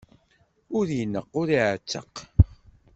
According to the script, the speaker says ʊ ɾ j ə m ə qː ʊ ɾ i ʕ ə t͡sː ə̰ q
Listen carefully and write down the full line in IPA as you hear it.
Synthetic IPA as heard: ʊ ɾ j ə n ə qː ʊ ɾ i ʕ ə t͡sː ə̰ q